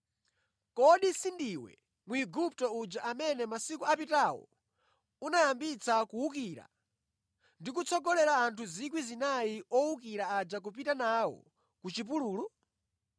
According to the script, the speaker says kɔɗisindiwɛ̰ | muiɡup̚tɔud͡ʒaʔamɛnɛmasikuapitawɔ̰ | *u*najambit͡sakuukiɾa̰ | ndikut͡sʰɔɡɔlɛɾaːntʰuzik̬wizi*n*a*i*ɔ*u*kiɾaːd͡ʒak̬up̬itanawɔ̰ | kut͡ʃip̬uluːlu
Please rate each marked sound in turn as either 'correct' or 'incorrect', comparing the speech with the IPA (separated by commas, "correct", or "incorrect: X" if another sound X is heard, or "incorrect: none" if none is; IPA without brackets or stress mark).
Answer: correct, correct, correct, correct